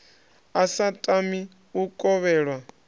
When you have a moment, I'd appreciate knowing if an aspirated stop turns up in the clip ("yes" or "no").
no